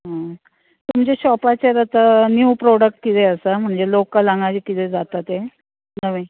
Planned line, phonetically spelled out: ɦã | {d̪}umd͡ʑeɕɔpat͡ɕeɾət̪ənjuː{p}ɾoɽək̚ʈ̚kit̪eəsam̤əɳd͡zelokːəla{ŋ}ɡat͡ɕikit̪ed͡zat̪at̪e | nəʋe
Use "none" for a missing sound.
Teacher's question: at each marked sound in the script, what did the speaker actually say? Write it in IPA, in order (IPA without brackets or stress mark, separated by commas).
t̪, p, ŋ